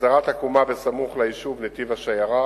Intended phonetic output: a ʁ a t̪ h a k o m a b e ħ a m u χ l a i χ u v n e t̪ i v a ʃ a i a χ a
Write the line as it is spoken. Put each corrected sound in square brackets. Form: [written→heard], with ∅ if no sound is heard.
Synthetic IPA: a ʁ a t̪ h a k [o→u] m a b e [ħ→s] a m u χ l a i [χ→ʃ] u v n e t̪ i v a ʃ a [i→j] a [χ→ʁ] a